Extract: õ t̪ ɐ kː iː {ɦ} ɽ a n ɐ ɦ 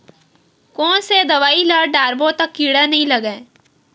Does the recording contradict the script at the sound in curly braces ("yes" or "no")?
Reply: yes